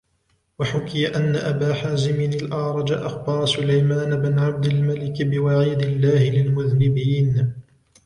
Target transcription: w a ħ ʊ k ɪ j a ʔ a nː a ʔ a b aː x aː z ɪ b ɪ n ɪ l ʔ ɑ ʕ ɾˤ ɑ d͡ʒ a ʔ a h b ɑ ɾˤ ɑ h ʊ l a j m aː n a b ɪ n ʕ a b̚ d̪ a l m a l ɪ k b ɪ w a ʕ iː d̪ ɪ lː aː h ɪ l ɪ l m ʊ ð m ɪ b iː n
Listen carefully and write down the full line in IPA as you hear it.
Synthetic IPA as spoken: w a ħ ʊ k ɪ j a ʔ a nː a ʔ a b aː ħ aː z ɪ m ɪ n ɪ l ʔ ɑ ʕ ɾˤ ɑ d͡ʒ a ʔ a x b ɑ ɾˤ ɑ s ʊ l a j m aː n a b ɪ n ʕ a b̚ d̪ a l m a l ɪ k b ɪ w a ʕ iː d̪ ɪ lː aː h ɪ l ɪ l m ʊ ð n ɪ b iː n